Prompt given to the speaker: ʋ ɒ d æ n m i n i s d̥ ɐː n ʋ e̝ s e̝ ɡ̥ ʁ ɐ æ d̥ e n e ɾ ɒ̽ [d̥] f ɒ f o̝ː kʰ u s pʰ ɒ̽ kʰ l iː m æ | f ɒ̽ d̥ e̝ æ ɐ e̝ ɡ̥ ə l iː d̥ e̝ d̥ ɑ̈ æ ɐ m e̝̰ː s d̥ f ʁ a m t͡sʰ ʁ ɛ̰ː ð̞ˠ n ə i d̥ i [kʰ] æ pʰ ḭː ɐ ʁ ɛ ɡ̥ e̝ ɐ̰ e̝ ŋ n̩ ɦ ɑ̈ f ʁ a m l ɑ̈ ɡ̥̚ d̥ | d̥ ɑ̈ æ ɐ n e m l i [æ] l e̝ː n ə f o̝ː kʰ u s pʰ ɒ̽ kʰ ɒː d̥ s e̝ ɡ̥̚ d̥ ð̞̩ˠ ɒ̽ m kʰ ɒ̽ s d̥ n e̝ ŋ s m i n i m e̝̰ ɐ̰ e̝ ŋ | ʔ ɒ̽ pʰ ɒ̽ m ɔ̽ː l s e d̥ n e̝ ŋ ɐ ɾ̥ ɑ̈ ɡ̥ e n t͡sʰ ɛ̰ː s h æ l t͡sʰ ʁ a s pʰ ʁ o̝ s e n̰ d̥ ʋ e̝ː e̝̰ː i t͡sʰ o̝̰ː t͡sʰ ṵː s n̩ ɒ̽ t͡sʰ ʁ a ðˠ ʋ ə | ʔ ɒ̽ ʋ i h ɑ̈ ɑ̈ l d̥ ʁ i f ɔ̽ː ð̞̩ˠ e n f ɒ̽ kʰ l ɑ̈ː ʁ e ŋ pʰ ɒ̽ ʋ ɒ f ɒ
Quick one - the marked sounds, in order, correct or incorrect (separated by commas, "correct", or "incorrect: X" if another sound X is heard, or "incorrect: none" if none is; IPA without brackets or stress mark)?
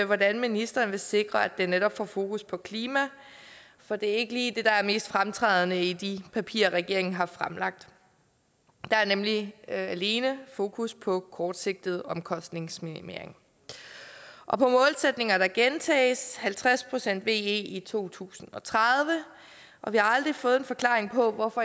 incorrect: b̥, incorrect: pʰ, correct